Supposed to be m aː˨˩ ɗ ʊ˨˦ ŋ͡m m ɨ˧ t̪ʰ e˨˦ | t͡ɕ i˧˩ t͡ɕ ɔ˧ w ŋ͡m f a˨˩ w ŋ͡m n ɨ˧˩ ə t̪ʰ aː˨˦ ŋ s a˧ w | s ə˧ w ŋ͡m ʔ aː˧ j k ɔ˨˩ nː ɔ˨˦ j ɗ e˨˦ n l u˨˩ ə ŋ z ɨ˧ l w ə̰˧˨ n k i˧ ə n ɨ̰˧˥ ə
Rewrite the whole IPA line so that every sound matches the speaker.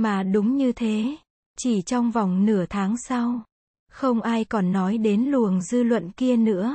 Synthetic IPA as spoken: m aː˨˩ ɗ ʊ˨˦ ŋ͡m ɲ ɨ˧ t̪ʰ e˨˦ | t͡ɕ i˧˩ t͡ɕ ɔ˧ w ŋ͡m v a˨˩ w ŋ͡m n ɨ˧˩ ə t̪ʰ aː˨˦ ŋ s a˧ w | x ə˧ w ŋ͡m ʔ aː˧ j k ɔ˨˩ nː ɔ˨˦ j ɗ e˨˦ n l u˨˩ ə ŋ z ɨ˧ l w ə̰˧˨ n k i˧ ə n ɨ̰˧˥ ə